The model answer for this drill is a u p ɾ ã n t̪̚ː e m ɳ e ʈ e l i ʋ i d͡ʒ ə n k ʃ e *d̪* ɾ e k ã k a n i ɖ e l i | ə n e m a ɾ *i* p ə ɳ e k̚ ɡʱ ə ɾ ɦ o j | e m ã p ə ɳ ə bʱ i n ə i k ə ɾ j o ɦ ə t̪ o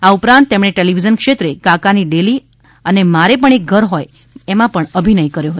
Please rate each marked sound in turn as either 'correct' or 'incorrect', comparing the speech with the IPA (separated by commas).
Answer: incorrect, incorrect